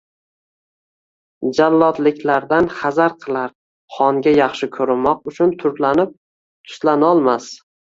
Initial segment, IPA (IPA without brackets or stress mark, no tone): d͡ʒ